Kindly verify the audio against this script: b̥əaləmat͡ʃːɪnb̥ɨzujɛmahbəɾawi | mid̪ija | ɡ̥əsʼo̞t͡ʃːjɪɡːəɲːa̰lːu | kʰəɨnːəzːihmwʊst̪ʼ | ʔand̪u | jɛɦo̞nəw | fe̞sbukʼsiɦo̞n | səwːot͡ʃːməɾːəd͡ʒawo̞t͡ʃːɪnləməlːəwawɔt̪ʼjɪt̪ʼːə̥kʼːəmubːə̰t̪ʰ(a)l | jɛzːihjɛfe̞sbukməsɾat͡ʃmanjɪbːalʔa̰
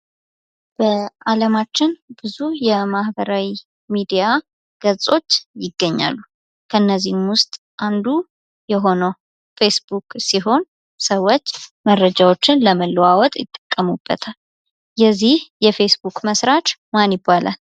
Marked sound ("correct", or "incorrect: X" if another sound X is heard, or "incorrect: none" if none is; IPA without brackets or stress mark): correct